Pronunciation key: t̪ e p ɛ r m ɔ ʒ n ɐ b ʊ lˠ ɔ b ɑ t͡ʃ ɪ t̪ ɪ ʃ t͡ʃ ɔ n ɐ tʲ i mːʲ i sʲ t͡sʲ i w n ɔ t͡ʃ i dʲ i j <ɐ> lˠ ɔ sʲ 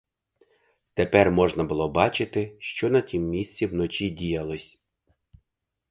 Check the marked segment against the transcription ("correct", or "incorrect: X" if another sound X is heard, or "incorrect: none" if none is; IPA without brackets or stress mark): correct